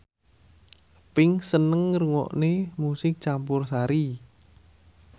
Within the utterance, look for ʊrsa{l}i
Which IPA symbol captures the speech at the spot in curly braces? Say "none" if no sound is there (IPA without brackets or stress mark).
ɾ